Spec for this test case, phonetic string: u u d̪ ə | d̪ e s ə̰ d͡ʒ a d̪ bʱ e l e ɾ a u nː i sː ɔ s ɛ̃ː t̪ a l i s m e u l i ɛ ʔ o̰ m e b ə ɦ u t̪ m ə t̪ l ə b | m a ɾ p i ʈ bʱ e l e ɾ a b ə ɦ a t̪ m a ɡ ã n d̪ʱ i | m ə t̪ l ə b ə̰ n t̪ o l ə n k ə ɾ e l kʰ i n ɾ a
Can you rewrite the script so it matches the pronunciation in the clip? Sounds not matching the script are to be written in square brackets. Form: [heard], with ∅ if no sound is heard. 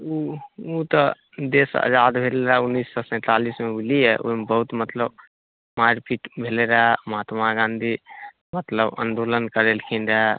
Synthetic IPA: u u [t̪] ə | d̪ e s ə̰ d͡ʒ a d̪ bʱ e l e ɾ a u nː i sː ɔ s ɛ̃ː t̪ a l i s m e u l i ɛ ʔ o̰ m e b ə ɦ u t̪ m ə t̪ l ə b | m a ɾ p i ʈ bʱ e l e ɾ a [m] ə ɦ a t̪ m a ɡ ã n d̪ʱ i | m ə t̪ l ə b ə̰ n [d̪] o l ə n k ə ɾ e l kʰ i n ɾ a